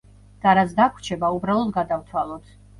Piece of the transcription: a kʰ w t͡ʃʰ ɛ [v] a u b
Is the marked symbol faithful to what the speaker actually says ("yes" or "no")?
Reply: no